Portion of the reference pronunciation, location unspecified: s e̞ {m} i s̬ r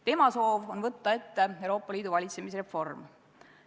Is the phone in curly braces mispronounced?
no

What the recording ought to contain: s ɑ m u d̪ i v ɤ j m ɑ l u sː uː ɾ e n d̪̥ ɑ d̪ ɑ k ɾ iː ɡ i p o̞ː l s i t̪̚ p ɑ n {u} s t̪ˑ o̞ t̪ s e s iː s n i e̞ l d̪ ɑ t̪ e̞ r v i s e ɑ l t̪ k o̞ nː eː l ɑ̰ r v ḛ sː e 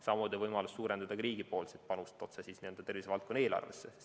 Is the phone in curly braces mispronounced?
no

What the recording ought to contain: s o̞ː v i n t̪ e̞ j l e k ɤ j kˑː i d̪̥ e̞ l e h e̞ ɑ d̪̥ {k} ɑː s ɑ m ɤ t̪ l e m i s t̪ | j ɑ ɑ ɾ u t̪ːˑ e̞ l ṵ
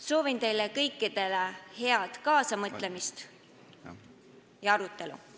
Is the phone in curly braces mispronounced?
no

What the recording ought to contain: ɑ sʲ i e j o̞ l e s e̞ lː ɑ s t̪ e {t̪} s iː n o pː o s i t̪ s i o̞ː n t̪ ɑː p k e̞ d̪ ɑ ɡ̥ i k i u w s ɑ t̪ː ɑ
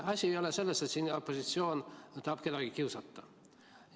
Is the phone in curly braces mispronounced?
no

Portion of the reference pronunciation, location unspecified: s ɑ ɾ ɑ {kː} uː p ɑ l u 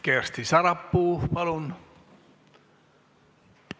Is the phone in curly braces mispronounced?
yes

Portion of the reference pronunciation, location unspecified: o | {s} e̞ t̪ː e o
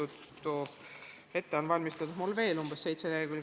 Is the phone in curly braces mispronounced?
yes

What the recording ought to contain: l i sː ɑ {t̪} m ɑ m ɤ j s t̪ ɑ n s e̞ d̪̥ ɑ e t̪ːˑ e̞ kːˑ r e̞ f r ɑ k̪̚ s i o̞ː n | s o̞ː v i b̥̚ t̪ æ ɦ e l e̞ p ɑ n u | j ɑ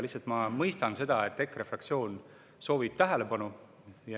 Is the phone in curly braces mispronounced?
no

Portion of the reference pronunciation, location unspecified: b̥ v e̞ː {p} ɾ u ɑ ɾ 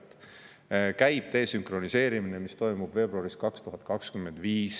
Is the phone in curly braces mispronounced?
yes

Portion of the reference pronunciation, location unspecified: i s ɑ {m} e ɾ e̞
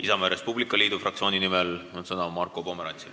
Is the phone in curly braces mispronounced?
no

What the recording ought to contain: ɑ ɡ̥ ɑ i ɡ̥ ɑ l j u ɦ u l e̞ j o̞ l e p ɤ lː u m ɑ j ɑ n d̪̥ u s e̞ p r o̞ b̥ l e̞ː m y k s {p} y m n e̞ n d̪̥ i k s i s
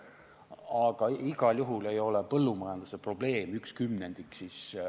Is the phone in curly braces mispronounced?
yes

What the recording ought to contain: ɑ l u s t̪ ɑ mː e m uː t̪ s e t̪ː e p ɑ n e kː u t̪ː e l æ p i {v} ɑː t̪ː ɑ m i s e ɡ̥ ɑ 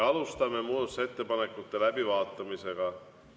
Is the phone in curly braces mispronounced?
yes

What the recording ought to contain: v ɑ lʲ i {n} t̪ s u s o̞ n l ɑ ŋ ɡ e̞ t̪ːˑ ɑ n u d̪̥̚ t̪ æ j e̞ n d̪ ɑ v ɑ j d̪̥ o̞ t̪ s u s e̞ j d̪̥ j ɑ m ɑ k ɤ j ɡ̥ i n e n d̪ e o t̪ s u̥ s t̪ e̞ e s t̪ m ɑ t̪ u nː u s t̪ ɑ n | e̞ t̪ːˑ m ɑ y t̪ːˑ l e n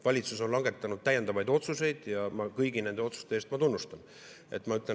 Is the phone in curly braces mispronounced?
yes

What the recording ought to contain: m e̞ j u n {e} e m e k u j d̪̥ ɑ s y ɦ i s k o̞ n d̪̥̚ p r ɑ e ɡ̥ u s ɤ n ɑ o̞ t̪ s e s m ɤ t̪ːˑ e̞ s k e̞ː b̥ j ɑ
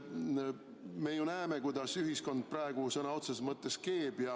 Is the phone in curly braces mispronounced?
yes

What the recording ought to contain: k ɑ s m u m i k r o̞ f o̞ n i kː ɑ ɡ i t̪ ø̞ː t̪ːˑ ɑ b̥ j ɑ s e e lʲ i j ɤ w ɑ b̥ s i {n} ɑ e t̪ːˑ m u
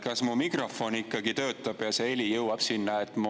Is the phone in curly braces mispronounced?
yes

